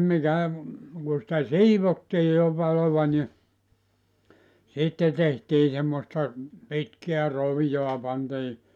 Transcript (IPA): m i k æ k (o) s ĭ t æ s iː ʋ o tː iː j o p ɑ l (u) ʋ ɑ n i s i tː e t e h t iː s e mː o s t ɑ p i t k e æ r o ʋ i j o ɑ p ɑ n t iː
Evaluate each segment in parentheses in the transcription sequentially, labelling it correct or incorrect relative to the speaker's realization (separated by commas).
incorrect, incorrect